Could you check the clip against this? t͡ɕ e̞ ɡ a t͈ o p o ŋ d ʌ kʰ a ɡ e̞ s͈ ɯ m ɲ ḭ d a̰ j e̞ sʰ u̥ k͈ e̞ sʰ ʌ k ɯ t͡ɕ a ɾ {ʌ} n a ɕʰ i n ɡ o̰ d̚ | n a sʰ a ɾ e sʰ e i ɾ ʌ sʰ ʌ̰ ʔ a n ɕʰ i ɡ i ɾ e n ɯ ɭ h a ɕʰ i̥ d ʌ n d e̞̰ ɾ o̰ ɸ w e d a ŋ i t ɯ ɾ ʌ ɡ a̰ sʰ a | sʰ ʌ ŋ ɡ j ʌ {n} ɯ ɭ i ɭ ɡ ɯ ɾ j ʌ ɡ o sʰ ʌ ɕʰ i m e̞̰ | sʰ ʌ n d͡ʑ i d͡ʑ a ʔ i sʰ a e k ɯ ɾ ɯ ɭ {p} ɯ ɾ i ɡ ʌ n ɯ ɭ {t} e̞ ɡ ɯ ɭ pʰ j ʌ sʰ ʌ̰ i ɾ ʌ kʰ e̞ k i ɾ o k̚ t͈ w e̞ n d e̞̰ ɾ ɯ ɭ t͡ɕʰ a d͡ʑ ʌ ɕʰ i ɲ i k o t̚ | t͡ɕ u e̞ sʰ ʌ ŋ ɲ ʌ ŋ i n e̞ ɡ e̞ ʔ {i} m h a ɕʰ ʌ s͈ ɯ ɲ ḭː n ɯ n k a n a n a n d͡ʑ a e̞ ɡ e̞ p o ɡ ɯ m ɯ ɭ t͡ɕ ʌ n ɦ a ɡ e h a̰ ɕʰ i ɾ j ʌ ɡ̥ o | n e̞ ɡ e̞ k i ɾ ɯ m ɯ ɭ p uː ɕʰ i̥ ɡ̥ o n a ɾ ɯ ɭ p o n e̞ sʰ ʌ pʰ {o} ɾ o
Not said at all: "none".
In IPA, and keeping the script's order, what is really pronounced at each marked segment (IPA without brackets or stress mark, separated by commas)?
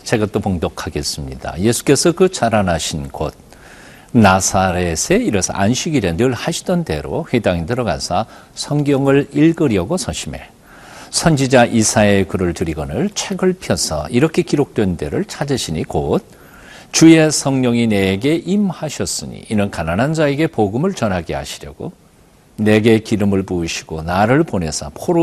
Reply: a, ŋ, t, t͡ɕʰ, i, o